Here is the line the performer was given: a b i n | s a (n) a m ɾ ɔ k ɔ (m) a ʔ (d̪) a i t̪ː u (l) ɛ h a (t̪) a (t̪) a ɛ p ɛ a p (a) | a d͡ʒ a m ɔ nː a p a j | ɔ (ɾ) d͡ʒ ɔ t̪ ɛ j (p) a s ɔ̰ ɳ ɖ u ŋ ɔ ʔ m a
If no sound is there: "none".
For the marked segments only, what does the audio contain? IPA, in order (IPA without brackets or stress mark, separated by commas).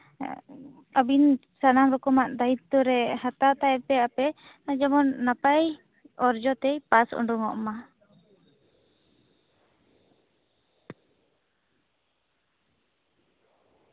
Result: n, m, d̪, ɾ, t̪, t̪, ɛ, ɾ, p